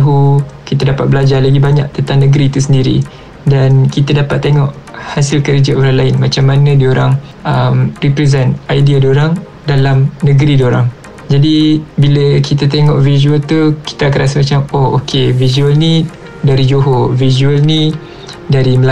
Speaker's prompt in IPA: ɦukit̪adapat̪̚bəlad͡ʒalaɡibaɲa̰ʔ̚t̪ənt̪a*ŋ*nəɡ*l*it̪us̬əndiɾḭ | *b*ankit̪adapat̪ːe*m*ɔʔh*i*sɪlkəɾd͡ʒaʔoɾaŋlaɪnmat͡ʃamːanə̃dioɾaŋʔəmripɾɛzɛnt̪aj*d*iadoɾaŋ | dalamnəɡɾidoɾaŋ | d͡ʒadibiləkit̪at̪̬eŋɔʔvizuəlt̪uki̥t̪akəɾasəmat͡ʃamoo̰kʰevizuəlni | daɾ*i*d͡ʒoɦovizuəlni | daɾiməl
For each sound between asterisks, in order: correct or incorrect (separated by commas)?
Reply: correct, incorrect, incorrect, incorrect, incorrect, correct, correct